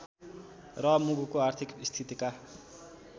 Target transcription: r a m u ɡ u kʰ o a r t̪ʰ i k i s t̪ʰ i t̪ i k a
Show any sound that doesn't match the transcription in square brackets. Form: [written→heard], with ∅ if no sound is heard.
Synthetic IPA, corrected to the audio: r [a→ʌ] m u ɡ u [kʰ→k] o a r t̪ʰ i k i s t̪ʰ i t̪ i k a

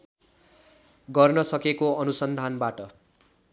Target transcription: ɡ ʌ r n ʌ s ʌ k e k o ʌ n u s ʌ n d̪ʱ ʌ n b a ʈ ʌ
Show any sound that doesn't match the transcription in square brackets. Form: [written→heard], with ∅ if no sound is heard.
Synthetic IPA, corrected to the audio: ɡ ʌ r n ʌ s ʌ k e k o ʌ n u s ʌ n d̪ʱ [ʌ→a] n b a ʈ ʌ

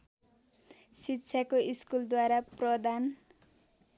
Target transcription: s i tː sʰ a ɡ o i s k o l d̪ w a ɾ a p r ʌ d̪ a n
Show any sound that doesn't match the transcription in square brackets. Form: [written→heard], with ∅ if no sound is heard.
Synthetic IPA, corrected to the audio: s i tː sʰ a [ɡ→k] o i s k [o→u] l d̪ w a ɾ a p r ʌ d̪ a n

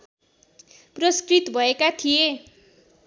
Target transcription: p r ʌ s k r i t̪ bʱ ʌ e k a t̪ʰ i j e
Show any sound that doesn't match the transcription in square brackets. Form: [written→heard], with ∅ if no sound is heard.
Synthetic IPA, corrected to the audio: p r ʌ s k r i t̪ bʱ ʌ e k a t̪ʰ i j e

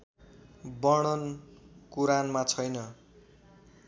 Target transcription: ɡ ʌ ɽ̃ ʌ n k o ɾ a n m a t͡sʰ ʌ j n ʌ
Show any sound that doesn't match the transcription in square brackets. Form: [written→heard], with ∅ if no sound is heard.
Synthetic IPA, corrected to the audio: [ɡ→b] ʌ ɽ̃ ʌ n k [o→u] ɾ a n m a t͡sʰ ʌ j n ʌ

